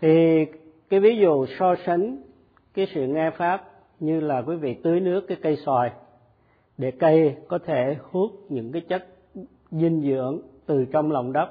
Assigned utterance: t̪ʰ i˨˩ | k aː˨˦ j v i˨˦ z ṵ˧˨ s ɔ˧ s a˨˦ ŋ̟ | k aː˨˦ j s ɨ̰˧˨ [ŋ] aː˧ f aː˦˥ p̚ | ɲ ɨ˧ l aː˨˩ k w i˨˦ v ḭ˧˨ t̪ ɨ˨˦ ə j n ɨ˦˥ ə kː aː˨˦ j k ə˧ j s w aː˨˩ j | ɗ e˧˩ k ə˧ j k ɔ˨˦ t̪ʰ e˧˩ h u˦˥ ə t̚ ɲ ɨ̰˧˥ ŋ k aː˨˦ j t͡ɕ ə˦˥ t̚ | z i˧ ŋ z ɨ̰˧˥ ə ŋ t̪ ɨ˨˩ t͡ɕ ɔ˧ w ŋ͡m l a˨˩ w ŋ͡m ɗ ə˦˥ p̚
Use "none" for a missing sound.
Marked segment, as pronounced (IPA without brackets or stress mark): ŋ